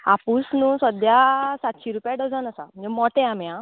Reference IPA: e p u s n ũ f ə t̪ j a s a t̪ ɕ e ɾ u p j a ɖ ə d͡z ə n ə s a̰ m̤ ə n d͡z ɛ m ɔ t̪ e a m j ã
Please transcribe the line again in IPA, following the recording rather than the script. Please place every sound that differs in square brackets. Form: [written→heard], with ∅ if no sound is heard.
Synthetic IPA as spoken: [e→a] p u s n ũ [f→s] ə [t̪→d̪] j a s a t̪ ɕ [e→i] ɾ u p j a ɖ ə d͡z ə n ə s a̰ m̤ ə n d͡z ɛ m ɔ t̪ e a m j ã